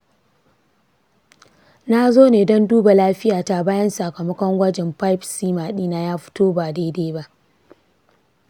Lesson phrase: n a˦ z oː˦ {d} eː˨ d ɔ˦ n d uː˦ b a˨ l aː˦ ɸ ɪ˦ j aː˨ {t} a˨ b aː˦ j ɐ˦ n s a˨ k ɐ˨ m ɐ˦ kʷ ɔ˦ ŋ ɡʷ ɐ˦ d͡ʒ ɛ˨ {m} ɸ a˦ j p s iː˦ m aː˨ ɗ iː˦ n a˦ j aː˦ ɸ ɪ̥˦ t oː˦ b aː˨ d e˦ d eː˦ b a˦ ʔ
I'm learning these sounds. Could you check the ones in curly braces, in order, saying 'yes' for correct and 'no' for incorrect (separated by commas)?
no, yes, yes